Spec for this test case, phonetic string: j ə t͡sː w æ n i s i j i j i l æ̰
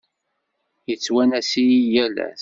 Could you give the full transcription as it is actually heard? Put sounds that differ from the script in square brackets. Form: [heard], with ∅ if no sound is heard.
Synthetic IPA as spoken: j ə t͡sː w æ n [æ] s i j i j [æ] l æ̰